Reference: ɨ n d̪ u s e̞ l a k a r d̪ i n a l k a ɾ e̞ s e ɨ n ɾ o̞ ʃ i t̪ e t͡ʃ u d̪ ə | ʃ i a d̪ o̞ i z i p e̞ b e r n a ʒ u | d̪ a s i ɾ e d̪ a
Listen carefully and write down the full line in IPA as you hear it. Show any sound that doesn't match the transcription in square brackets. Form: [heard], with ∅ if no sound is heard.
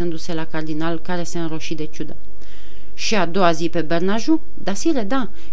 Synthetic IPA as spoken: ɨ n d̪ u s e̞ l a k a r d̪ i n a l k a ɾ e̞ s e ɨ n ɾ o̞ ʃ i [d̪] e t͡ʃ u d̪ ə | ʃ i a d̪ o̞ [a] z i p e̞ b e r n a ʒ u | d̪ a s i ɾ e d̪ a